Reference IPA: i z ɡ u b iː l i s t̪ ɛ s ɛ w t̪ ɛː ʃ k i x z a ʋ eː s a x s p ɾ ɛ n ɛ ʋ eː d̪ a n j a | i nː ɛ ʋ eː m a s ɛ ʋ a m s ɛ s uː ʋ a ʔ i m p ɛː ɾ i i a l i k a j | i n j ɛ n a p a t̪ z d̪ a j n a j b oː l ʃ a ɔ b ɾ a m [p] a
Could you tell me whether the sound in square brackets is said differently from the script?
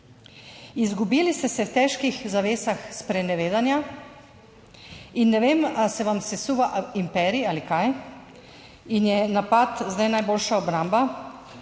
yes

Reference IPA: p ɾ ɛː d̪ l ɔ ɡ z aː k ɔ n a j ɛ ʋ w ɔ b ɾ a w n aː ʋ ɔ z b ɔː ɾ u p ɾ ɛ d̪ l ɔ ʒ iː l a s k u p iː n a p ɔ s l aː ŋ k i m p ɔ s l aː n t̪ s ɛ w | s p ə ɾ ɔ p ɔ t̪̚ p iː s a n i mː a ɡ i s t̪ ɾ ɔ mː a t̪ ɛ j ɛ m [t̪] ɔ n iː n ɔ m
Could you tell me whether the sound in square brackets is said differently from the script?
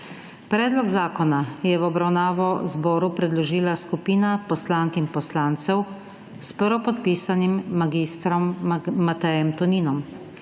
no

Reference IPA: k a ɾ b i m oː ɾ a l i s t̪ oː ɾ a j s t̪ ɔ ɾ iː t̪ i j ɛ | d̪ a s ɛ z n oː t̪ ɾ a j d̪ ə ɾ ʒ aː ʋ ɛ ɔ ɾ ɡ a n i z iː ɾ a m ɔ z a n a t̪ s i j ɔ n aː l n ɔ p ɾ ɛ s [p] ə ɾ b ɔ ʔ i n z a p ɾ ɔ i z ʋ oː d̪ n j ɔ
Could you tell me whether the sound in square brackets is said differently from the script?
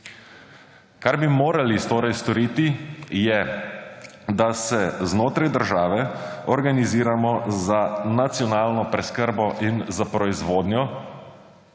yes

